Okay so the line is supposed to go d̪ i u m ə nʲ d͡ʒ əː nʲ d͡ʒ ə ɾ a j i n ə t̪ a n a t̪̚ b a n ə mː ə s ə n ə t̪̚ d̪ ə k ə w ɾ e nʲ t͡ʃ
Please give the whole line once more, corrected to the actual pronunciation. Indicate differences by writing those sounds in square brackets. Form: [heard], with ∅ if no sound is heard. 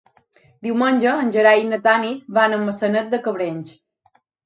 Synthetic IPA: d̪ i [w] m ə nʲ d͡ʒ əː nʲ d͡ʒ ə ɾ a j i n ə t̪ a n [i] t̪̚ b a n ə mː ə s ə n ə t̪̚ d̪ ə k ə [β] ɾ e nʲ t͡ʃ